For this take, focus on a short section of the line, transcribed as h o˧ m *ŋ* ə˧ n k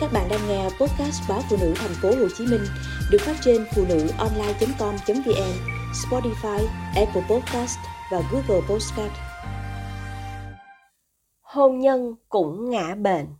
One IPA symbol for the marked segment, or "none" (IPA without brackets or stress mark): ɲ